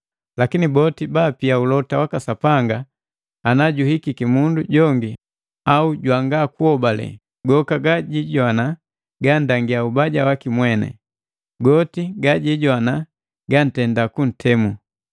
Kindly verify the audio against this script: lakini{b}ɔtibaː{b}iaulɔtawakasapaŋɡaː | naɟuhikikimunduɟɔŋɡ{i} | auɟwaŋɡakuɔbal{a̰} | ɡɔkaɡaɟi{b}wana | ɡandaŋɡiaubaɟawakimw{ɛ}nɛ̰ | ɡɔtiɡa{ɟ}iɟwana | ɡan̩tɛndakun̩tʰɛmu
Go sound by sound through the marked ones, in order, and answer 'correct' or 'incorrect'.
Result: correct, incorrect: p, correct, incorrect: ɛ̰, incorrect: ɟ, correct, correct

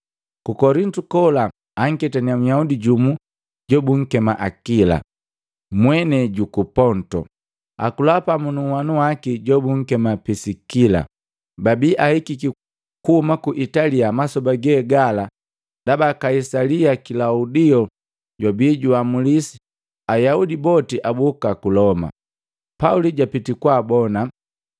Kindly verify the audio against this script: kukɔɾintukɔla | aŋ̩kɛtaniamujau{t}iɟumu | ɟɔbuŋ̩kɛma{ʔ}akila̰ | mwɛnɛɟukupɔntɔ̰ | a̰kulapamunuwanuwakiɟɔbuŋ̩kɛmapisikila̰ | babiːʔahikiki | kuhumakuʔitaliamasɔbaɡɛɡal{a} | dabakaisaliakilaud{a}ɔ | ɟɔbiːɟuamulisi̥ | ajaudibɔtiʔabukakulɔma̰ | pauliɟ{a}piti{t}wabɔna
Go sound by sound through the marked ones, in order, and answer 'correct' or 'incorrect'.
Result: incorrect: d, correct, correct, incorrect: i, correct, incorrect: k

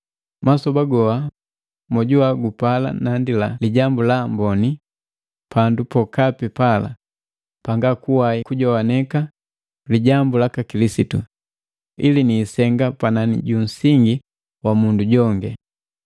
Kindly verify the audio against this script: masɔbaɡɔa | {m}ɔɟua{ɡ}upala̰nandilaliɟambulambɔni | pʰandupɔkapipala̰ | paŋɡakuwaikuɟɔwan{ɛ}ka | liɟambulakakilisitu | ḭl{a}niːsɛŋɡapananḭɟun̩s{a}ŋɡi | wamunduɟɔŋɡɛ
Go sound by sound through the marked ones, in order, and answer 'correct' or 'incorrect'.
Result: correct, correct, correct, incorrect: i, incorrect: i

